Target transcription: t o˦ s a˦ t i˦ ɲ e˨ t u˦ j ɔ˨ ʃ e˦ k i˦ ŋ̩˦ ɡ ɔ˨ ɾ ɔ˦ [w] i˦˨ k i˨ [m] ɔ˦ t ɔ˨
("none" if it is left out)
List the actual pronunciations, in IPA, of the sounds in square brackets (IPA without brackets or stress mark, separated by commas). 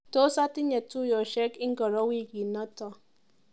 w, n